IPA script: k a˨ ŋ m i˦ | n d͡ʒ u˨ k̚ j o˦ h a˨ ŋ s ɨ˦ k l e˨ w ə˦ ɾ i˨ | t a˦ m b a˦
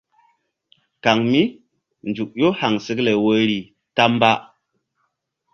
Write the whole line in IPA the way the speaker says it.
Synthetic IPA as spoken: k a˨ ŋ m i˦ | n d͡ʒ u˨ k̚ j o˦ h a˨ ŋ s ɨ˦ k l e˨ w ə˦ ɾ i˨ | t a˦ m b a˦